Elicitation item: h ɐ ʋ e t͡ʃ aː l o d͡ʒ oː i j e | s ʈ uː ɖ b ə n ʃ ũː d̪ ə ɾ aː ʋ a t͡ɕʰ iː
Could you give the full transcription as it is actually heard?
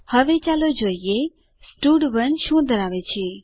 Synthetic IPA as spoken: h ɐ ʋ e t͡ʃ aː l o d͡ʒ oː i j e | s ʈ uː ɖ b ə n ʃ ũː d̪ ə ɾ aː ʋ e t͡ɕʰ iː